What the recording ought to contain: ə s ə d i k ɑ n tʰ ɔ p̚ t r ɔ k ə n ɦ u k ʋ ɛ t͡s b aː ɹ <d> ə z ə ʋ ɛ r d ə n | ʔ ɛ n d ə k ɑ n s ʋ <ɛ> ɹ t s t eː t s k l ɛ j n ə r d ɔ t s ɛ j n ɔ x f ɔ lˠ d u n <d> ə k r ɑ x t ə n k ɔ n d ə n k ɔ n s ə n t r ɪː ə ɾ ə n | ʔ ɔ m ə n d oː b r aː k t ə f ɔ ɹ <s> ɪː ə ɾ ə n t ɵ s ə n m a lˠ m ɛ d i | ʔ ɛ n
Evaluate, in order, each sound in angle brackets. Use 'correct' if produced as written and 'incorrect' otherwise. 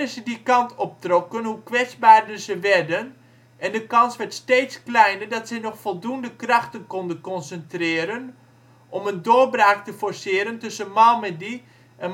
correct, correct, correct, correct

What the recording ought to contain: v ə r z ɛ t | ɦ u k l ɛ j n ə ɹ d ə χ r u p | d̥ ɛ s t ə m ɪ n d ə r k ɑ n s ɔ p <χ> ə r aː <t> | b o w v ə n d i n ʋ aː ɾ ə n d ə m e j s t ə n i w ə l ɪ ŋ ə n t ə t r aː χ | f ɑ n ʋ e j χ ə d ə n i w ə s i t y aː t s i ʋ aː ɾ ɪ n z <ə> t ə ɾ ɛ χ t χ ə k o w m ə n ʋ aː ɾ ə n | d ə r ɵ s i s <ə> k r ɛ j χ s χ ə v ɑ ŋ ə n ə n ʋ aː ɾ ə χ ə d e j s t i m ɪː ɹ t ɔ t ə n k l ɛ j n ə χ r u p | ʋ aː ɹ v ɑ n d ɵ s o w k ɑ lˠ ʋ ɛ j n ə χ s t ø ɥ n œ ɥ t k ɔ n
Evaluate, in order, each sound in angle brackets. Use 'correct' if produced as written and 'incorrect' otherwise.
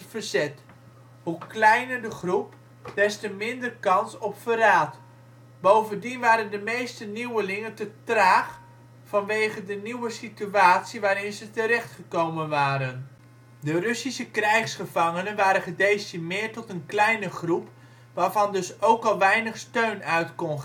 incorrect, correct, correct, correct

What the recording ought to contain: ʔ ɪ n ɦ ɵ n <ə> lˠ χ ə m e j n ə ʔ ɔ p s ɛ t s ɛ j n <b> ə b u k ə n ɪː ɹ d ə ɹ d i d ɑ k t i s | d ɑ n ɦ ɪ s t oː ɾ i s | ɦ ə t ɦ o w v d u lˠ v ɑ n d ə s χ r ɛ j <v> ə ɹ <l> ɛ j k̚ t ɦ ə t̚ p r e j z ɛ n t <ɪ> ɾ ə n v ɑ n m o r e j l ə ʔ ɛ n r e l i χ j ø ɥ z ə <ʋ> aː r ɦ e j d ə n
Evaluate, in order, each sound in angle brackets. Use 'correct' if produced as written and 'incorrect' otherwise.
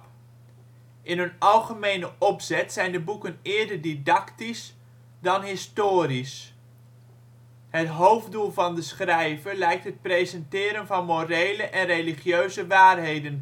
incorrect, incorrect, correct, correct, incorrect, correct

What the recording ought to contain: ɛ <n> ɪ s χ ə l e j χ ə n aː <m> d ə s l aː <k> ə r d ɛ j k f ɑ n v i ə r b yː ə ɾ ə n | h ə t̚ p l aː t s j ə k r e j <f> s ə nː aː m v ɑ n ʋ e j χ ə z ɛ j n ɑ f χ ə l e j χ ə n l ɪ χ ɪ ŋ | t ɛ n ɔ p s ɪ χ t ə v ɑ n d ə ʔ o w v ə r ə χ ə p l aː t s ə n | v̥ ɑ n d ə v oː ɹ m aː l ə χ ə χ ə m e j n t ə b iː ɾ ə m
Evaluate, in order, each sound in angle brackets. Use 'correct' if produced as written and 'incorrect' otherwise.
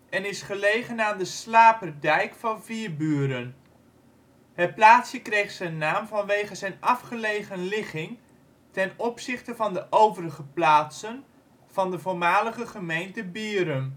correct, incorrect, incorrect, incorrect

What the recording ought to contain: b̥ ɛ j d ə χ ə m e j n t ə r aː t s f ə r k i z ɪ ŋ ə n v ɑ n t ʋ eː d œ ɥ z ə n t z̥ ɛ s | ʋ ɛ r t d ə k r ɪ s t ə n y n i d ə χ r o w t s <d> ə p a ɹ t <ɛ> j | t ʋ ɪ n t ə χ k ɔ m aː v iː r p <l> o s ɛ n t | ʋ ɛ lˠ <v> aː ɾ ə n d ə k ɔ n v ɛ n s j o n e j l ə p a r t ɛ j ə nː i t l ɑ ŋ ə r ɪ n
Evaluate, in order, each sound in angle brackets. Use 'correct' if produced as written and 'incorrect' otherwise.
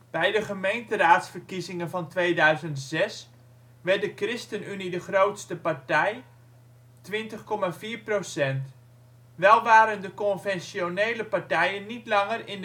incorrect, correct, incorrect, incorrect

